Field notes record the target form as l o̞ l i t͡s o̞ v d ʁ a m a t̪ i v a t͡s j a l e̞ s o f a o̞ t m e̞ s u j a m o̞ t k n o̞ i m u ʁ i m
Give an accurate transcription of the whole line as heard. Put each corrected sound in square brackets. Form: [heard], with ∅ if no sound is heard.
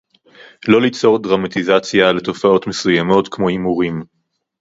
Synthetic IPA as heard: l o̞ l i t͡s o̞ [ʁ] d ʁ a m a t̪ i [z] a t͡s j a l e̞ [t] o f a o̞ t m e̞ s u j a m o̞ t k [m] o̞ i m u ʁ i m

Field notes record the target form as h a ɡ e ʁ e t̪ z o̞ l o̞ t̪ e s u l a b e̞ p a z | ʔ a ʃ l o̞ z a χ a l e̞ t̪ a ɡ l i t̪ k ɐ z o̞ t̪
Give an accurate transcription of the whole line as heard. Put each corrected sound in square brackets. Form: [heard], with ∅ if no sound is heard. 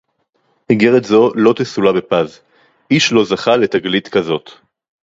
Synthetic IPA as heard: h [i] ɡ e ʁ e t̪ z o̞ l o̞ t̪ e s u l a b e̞ p a z | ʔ [i] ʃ l o̞ z a χ a l e̞ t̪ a ɡ l i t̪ k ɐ z o̞ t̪

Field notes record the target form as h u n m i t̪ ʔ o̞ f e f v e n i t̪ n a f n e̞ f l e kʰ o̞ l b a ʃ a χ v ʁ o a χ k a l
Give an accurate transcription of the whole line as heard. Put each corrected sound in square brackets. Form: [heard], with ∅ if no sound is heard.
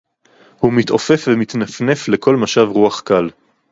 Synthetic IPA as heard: h u [∅] m i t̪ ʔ o̞ f e f v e [m] i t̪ n a f n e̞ f l e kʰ o̞ l [m] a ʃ a [∅] v ʁ [u] a χ k a l

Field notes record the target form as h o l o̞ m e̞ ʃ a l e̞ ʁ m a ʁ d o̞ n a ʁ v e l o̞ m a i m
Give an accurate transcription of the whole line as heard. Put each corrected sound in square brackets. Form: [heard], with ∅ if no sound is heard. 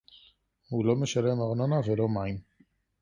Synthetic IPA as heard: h [u] l o̞ m e̞ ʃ a l e̞ [∅] m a ʁ [n] o̞ n a [∅] v e l o̞ m a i m

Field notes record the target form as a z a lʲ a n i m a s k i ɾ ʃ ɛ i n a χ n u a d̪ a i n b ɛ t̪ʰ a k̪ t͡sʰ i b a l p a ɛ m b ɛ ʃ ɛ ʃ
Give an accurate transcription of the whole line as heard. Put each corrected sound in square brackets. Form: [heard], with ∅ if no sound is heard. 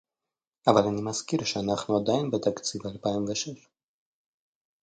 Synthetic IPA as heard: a [v] a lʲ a n i m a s k i ɾ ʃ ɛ [a] n a χ n u a d̪ a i n b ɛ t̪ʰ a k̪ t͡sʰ i [v] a l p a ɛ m [v] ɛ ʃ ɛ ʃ

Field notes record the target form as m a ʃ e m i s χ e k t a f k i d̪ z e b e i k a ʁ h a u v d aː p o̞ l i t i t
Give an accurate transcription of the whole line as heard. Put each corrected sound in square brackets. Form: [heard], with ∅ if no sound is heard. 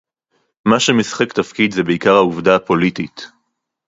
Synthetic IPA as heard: m a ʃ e m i s χ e k t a f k i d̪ z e b e i k a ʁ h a u v d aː p o̞ l i t i t

